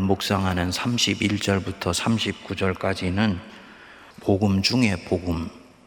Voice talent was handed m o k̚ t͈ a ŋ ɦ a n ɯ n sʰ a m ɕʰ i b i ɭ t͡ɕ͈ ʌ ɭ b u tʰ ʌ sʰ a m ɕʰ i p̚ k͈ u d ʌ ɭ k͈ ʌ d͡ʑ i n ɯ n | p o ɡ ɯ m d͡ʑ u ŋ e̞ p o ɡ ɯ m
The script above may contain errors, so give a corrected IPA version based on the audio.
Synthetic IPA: m o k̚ s͈ a ŋ ɦ a n ɯ n sʰ a m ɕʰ i b i ɭ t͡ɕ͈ ʌ ɭ b u tʰ ʌ sʰ a m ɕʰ i p̚ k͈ u d͡ʑ ʌ ɭ k͈ a d͡ʑ i n ɯ n | p o ɡ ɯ m d͡ʑ u ŋ e̞ p o ɡ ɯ m